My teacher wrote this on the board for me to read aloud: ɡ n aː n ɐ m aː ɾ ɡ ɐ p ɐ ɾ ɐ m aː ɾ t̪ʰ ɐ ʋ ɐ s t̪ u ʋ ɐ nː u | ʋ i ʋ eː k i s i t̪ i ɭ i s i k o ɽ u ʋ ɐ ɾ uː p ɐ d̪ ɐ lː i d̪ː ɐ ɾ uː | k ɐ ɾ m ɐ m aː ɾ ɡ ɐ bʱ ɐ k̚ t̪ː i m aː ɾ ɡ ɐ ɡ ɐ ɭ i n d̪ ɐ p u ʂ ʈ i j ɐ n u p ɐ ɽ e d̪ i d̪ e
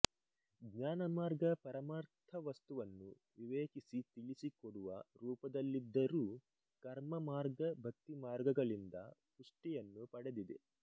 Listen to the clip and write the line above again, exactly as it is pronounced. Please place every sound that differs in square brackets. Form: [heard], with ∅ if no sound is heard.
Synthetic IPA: ɡ [ɲ] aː n ɐ m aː ɾ ɡ ɐ p ɐ ɾ ɐ m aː ɾ t̪ʰ ɐ ʋ ɐ s t̪ u ʋ ɐ nː u | ʋ i ʋ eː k i s i t̪ i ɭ i s i k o ɽ u ʋ ɐ ɾ uː p ɐ d̪ ɐ lː i d̪ː ɐ ɾ uː | k ɐ ɾ m ɐ m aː ɾ ɡ ɐ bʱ ɐ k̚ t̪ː i m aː ɾ ɡ ɐ ɡ ɐ ɭ i n d̪ ɐ p u ʂ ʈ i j ɐ [nː] u p ɐ ɽ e d̪ i d̪ e